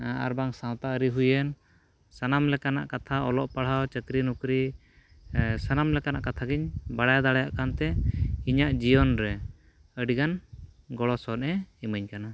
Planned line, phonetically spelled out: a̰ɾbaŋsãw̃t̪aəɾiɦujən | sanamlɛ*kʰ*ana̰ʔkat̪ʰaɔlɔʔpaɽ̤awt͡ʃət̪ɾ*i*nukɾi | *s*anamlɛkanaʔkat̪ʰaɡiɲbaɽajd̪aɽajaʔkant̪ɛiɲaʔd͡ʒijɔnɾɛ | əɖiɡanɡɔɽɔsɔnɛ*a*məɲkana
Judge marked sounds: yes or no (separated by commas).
no, yes, yes, no